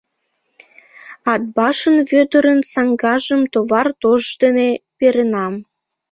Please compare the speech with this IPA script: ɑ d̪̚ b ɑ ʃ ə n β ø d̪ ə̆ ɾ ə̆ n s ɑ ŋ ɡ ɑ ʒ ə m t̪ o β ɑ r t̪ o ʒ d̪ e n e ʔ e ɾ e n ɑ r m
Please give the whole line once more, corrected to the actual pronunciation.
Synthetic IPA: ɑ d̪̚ b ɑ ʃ ə n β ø d̪ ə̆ ɾ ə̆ n s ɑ ŋ ɡ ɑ ʒ ə m t̪ o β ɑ r t̪ o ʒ d̪ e n e p e ɾ e n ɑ m